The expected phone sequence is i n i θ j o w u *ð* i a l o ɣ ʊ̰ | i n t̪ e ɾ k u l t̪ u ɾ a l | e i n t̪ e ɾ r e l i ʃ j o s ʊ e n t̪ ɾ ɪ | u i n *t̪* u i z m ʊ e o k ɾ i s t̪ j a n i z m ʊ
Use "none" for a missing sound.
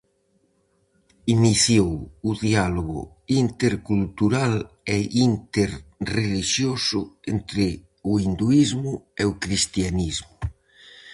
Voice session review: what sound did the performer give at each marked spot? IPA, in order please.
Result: ð, d̪

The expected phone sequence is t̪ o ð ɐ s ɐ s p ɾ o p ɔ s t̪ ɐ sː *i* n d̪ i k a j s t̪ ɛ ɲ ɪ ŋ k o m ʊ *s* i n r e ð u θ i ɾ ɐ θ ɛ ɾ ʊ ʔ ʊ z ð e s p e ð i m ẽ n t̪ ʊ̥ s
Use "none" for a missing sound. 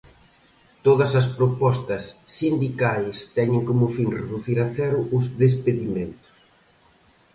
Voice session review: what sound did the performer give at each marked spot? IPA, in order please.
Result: i, f

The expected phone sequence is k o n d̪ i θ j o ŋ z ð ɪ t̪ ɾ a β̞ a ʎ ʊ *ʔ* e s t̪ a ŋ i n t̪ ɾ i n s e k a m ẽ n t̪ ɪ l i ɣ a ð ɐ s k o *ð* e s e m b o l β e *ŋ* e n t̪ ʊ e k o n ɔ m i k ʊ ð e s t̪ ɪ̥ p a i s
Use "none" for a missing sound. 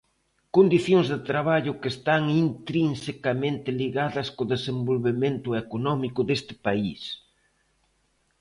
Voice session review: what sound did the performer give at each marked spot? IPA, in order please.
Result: k, ð, m

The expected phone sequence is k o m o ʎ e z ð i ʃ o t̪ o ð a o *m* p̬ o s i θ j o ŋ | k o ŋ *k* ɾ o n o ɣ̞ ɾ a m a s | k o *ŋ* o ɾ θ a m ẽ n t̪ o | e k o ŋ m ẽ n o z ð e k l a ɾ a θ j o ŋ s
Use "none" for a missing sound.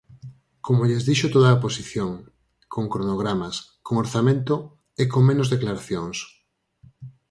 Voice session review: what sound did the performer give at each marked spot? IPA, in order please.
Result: none, k, ŋ

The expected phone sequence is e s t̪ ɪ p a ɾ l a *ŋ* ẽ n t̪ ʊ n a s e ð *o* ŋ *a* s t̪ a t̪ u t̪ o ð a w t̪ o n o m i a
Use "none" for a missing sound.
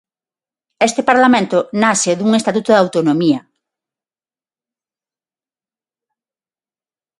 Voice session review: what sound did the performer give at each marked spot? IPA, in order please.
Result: m, u, e

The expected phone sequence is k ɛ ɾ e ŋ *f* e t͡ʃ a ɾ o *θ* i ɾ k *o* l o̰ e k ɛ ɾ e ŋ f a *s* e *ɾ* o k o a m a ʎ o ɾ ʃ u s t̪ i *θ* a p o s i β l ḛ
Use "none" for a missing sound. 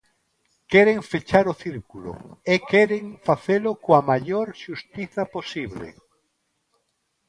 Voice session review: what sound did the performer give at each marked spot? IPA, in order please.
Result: f, θ, u, θ, l, θ

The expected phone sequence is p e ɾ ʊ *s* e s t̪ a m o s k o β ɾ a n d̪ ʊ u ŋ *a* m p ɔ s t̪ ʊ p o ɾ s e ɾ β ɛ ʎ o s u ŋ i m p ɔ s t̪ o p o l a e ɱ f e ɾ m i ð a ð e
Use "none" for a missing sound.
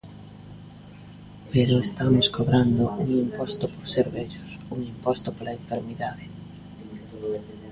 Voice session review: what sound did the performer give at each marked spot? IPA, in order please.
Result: none, i

